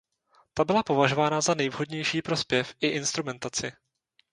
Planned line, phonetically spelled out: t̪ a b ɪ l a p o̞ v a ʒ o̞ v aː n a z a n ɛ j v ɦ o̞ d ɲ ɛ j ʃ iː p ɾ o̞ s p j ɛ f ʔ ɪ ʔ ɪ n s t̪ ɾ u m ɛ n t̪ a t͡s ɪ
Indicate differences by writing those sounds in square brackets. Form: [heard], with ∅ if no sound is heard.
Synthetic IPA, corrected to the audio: t̪ a b ɪ l a p o̞ v a ʒ o̞ v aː n a z a n ɛ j v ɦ o̞ d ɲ ɛ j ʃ iː p ɾ o̞ s p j ɛ f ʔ ɪ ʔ ɪ n s t̪ ɾ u m ɛ n t̪ a t͡s ɪ